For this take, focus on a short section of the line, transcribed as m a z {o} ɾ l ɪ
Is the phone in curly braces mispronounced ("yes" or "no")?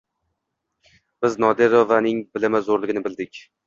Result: no